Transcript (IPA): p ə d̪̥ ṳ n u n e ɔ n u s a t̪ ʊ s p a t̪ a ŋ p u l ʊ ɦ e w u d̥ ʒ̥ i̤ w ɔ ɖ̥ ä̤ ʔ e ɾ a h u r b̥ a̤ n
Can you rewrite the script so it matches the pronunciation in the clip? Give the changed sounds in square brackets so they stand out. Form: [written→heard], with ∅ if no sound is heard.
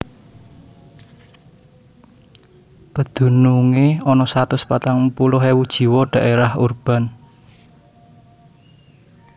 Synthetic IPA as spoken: p ə d̪̥ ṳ n u [n→ŋ] e ɔ n [u→ɔ] s a t̪ ʊ s p a t̪ a ŋ p u l ʊ ɦ e w u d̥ ʒ̥ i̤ w ɔ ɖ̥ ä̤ ʔ e ɾ a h u r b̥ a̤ n